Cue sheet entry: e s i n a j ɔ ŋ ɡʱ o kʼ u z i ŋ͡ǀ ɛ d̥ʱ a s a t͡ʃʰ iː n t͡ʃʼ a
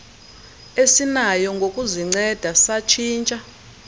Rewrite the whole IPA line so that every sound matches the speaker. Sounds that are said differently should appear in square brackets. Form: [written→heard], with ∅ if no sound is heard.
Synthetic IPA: e s i n a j ɔ ŋ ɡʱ o kʼ u z i ŋ͡ǀ ɛ d̥ʱ a s a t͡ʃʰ iː n t͡ʃʼ a

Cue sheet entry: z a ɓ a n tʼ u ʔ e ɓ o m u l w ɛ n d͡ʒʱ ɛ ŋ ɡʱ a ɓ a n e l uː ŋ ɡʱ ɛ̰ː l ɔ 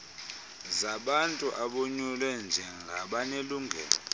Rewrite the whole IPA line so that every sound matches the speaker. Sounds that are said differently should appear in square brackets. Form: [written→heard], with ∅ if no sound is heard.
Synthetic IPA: z a ɓ a n tʼ u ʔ [e→a] ɓ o [m→ɲ] u l w ɛ n d͡ʒʱ ɛ ŋ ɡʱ a ɓ a n e l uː ŋ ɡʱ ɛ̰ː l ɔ

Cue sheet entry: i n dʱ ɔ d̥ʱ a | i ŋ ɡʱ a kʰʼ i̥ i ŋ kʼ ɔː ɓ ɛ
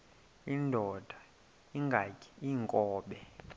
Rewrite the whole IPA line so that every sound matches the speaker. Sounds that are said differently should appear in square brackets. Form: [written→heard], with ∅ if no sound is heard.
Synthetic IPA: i n dʱ ɔ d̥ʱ a | i ŋ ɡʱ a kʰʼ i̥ i ŋ kʼ ɔː ɓ ɛ

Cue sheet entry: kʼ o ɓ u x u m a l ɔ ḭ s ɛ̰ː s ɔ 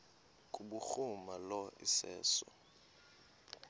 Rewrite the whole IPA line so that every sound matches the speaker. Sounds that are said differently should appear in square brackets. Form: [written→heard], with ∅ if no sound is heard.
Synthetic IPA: kʼ [o→u] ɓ u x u m a l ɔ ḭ s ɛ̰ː s ɔ

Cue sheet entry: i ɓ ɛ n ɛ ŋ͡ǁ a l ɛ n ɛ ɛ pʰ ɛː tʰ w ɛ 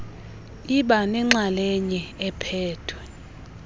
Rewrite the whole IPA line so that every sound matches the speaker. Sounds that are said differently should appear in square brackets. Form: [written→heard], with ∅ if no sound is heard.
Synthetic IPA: i ɓ [ɛ→a] n ɛ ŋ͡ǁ a l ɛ [n→ɲ] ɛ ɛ pʰ ɛː tʰ w ɛ

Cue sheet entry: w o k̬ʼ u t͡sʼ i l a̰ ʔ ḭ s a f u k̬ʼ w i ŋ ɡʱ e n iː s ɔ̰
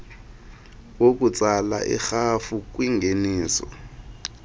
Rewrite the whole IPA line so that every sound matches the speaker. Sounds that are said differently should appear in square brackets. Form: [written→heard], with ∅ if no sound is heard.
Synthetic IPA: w o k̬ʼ u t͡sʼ [i→a] l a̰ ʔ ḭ [s→x] a f u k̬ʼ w i ŋ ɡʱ e n iː s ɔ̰

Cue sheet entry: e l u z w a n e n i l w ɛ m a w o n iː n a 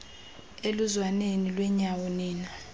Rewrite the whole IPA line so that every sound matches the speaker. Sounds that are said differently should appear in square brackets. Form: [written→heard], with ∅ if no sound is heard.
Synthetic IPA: e l u z w a n e n i l w ɛ [m→ɲ] a w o n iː n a

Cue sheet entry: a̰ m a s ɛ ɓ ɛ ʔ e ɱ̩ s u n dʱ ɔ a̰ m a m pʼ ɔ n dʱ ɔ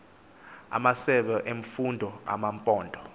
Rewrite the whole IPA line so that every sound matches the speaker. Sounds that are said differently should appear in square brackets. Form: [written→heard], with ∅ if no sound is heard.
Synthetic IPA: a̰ m a s ɛ ɓ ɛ ʔ e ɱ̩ [s→f] u n dʱ ɔ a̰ m a m pʼ [ɔ→ɔː] n dʱ ɔ

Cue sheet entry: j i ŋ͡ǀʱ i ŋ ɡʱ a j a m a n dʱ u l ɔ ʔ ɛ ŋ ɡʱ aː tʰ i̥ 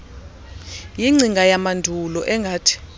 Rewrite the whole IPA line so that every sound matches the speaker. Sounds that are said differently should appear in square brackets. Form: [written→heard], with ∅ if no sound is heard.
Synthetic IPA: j i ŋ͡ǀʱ i ŋ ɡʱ a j a m a n dʱ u l ɔ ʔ ɛ ŋ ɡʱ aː tʰ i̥

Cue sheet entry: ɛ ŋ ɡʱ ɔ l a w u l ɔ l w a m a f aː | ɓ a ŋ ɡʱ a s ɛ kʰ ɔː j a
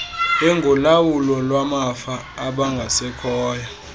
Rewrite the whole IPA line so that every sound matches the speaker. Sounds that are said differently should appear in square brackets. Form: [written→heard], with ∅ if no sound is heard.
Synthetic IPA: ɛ ŋ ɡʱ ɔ l a w u l ɔ l w a m a f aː | ɓ a ŋ ɡʱ a s ɛ kʰ ɔː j a

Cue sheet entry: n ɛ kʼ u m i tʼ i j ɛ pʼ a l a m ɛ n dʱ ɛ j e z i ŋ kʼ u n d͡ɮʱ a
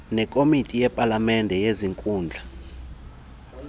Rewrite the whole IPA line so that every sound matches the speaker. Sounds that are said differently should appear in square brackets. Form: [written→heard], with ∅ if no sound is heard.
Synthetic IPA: n ɛ kʼ [u→o] m i tʼ i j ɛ pʼ a l a m ɛ n dʱ ɛ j e z i ŋ kʼ [u→uː] n d͡ɮʱ a

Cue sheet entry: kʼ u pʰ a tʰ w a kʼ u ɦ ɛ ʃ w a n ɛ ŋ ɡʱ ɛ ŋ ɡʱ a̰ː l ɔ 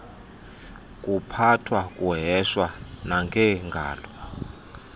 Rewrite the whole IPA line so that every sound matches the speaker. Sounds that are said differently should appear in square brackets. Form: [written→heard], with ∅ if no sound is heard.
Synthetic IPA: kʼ u pʰ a tʰ w a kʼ u ɦ ɛ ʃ w a n [ɛ→a] ŋ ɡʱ ɛ ŋ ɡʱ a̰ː l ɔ

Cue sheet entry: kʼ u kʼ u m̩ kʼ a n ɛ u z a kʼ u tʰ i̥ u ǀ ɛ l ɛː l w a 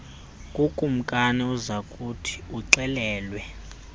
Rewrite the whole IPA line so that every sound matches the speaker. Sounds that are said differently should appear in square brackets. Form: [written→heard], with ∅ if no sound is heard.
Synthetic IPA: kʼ u kʼ u m̩ kʼ a n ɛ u z a kʼ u tʰ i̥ u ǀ ɛ l ɛː l w [a→ɛ]

